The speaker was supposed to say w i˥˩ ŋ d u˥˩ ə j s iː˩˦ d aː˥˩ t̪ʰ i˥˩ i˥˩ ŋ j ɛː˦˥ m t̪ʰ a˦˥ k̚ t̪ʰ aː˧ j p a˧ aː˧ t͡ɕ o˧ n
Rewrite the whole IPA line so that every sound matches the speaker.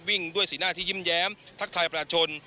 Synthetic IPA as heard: w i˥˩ ŋ d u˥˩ ə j s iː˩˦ n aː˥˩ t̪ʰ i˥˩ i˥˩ m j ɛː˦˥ m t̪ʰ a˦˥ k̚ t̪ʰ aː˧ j p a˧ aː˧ t͡ɕʰ o˧ n